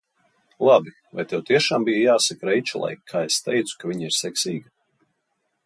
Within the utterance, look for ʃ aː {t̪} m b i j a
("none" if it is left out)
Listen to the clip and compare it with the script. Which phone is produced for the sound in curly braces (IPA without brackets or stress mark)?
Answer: none